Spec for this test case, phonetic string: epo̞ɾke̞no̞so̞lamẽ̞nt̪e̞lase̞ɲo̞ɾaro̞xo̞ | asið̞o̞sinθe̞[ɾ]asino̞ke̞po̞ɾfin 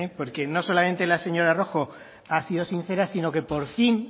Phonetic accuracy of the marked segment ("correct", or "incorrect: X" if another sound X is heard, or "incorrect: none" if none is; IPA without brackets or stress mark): correct